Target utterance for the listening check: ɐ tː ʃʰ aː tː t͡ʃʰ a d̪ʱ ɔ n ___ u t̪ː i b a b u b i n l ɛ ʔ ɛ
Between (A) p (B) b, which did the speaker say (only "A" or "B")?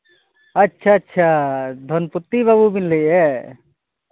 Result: A